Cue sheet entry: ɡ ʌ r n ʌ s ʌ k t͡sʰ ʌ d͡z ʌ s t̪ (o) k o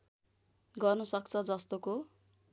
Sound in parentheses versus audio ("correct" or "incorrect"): correct